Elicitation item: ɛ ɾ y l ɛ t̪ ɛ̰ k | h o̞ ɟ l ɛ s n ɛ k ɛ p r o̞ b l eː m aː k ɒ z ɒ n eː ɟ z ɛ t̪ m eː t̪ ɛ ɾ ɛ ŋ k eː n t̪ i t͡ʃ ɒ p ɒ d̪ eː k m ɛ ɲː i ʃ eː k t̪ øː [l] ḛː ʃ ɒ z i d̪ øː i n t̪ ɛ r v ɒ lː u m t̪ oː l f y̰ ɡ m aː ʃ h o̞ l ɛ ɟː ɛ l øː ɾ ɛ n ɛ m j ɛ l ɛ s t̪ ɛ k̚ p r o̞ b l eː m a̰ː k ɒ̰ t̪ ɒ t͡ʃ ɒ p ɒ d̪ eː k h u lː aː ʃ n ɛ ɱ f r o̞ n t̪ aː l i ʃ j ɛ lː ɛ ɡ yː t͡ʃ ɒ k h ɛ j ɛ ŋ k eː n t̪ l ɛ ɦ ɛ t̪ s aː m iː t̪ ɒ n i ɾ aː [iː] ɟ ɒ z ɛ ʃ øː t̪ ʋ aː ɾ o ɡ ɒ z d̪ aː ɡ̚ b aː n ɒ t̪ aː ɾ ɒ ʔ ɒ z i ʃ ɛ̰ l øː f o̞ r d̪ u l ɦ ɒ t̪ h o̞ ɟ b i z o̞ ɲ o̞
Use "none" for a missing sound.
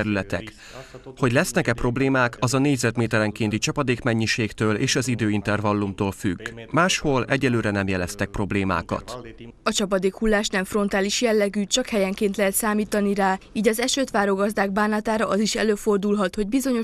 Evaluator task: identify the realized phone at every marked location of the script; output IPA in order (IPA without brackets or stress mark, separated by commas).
l, iː